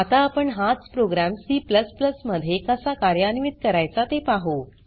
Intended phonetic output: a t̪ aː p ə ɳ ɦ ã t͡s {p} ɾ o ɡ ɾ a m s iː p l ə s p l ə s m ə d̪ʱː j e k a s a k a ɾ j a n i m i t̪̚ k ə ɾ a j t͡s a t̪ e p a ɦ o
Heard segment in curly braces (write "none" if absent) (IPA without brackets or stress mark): p